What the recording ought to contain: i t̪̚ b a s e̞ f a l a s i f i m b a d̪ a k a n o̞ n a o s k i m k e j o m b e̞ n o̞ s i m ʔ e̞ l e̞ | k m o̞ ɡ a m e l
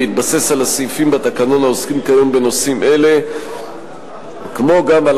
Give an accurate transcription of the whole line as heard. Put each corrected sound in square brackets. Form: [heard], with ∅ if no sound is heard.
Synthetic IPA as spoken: i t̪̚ b a s e̞ [s] a l a s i f i m b a [t̪] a k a n o̞ n a o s k i m k [a] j o m b e̞ n o̞ s i m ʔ e̞ l e̞ | k m o̞ ɡ a m [a] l

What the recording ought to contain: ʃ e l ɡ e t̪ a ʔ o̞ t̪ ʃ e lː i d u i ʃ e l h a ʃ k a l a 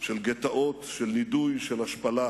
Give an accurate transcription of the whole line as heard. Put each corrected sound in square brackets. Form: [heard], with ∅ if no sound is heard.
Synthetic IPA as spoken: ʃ e l ɡ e t̪ a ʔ o̞ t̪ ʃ e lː i d u [j] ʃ e l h a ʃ [p] a l a

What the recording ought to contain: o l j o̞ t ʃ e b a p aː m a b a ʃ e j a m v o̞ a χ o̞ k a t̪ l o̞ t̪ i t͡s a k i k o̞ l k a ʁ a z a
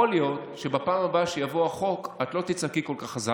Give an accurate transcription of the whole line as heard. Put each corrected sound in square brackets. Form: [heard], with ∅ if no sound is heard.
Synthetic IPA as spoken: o l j o̞ t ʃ e b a p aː m a b a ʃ e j a [∅] v o̞ a χ o̞ k a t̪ l o̞ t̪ i t͡s a k i k o̞ l k a [χ] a z a

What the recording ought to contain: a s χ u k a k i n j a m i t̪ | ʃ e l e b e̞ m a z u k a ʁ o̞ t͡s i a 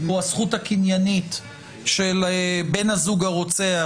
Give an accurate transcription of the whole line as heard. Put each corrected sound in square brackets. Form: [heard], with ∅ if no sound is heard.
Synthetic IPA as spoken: a s χ u [t] a k i n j a [n] i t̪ | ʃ e l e b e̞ [n] a z u [ɡ] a ʁ o̞ t͡s [e] a

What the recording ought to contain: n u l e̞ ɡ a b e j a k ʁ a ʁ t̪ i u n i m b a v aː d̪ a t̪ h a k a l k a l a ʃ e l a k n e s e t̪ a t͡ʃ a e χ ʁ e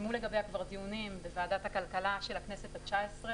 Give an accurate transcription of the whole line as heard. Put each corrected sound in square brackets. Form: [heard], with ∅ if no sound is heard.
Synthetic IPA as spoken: [m] u l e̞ ɡ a b e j a k [v] a ʁ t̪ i u n i m b [e] v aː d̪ a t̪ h a k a l k a l a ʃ e l a k n e s e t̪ a t͡ʃ a e [s] ʁ e

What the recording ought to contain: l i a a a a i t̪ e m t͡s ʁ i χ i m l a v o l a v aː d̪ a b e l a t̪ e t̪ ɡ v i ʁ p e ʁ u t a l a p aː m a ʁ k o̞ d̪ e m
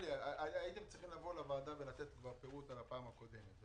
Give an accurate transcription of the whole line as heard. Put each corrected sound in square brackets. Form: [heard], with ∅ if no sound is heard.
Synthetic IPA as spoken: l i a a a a i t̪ e m t͡s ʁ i χ i m l a v o l a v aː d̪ a [v] e l a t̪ e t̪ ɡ v [a] ʁ p e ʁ u t a l a p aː m a [∅] k o̞ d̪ e m

